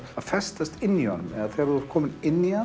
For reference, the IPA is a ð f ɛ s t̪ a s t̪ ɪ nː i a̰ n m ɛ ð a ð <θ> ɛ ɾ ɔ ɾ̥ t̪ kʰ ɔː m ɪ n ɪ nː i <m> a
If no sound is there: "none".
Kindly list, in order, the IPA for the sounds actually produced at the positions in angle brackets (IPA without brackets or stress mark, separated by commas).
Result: θ, none